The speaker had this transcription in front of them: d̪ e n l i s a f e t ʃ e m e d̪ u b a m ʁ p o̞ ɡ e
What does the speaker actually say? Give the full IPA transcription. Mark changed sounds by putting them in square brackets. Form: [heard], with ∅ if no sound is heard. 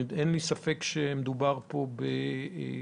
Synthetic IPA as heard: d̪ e n l i s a f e [k] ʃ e m e d̪ u b a [∅] ʁ p o̞ [b] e